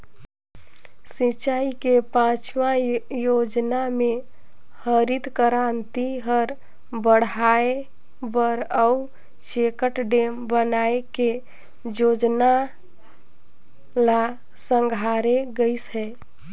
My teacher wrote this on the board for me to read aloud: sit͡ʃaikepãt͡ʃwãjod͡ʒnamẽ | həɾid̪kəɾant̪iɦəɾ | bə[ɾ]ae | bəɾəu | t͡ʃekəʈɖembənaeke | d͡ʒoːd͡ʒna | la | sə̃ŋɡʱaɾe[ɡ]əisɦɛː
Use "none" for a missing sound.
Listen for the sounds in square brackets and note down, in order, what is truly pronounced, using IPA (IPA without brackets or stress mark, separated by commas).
ɽ, ɡ